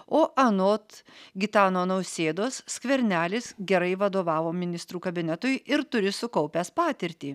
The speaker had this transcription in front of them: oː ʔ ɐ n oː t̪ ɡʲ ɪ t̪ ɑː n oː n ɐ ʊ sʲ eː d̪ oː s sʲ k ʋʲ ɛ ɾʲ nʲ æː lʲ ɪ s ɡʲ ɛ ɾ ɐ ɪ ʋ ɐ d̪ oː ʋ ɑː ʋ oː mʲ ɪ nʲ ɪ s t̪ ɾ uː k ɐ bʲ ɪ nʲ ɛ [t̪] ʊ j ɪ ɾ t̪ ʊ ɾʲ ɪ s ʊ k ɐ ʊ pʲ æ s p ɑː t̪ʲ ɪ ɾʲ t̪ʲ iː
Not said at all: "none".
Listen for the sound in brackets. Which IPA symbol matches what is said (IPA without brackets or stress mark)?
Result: t̪